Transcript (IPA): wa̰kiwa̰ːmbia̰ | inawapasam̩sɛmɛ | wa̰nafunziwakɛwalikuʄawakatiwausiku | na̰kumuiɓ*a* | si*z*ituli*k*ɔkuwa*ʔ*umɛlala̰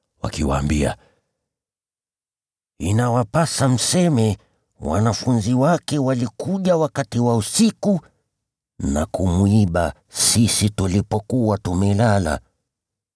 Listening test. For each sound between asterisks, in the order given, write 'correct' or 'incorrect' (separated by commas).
correct, incorrect, incorrect, incorrect